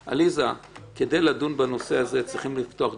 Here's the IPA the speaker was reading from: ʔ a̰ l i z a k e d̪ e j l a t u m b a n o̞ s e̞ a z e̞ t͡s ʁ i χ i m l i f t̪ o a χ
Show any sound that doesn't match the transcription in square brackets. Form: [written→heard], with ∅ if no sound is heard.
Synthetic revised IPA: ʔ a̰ l i z a k e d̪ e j l a [t→d] u [m→n] b a n o̞ s e̞ a z e̞ t͡s ʁ i χ i m l i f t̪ o a χ